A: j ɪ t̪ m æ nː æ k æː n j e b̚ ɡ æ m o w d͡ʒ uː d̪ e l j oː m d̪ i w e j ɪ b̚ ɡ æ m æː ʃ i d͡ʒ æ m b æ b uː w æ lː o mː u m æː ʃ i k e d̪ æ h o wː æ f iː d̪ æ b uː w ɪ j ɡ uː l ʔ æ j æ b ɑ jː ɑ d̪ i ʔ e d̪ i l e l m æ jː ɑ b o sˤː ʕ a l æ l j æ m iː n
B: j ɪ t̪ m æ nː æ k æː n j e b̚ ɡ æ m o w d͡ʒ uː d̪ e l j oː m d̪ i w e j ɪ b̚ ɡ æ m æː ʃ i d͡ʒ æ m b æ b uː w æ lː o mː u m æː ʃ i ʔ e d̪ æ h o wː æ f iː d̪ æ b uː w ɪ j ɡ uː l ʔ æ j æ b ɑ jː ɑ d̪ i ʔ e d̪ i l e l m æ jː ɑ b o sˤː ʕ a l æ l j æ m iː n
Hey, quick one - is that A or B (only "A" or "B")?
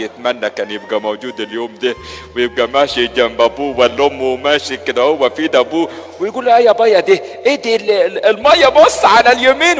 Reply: A